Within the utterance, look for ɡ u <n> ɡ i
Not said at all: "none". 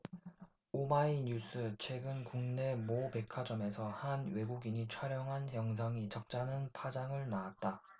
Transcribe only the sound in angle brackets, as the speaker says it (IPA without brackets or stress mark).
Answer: none